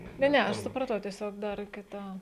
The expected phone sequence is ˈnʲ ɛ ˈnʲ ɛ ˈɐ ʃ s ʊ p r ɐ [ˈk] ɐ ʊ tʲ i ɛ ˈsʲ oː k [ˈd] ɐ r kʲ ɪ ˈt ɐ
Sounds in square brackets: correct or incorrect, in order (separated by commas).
incorrect, correct